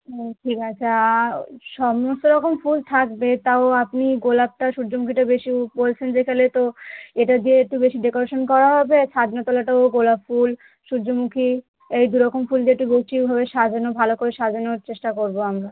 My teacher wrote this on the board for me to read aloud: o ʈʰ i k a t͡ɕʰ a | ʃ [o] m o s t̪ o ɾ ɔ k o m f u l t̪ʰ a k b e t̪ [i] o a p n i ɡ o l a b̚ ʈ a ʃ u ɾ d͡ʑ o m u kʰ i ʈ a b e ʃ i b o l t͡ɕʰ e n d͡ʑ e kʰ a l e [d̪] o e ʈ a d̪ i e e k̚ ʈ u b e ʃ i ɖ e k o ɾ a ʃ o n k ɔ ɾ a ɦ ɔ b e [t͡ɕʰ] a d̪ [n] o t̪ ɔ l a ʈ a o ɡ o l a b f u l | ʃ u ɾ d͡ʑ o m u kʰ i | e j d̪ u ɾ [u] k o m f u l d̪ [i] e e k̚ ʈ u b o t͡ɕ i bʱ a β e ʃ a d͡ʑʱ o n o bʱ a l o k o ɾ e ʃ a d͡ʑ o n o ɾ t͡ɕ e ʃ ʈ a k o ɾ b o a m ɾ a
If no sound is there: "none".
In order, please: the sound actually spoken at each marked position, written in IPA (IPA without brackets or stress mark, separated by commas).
ɔ, a, t̪, t͡ɕʰ, n, ɔ, i